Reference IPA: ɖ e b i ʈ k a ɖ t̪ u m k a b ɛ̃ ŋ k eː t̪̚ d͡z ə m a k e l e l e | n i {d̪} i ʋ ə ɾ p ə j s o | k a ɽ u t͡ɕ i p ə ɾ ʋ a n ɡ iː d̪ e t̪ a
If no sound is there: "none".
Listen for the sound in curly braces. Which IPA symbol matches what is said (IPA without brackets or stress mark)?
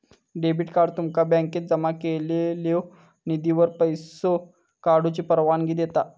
d̪